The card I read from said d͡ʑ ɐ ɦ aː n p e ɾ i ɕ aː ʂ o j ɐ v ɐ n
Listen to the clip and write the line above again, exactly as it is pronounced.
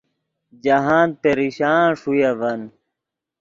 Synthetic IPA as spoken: d͡ʑ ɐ ɦ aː n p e ɾ i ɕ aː ʂ u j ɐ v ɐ n